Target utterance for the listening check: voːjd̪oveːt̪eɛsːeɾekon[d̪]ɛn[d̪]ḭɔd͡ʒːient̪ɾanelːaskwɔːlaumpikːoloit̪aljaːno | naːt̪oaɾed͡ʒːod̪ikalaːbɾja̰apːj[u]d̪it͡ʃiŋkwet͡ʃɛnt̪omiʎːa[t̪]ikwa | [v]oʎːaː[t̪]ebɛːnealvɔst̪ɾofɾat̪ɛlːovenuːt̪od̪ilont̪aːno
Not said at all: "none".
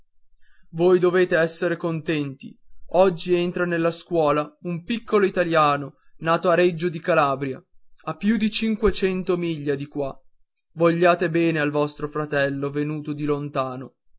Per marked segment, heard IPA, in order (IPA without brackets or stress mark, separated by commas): t̪, t̪, u, d̪, v, t̪